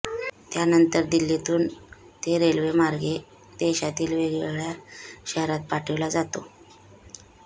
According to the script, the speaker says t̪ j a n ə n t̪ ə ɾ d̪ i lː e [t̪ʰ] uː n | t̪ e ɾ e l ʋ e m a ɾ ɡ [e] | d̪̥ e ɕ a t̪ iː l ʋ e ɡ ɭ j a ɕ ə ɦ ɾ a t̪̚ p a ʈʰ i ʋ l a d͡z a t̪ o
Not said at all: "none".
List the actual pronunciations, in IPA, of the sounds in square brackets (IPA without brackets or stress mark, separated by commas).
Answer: t̪, e